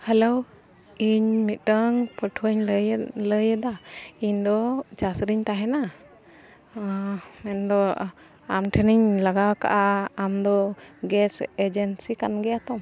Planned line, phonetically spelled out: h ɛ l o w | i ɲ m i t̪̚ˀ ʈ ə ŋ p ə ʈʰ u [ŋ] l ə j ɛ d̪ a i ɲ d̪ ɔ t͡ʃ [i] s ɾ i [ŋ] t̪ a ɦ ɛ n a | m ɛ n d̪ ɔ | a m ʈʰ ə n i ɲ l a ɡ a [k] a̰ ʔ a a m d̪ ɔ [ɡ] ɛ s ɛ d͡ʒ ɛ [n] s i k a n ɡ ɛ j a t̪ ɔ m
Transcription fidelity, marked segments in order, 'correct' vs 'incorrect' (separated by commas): incorrect, incorrect, incorrect, correct, correct, correct